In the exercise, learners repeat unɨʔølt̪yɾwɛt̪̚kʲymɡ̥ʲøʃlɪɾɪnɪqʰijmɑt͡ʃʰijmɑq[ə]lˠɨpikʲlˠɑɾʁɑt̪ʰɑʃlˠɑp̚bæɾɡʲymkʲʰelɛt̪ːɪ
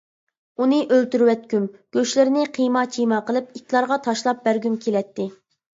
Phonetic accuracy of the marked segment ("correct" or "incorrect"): correct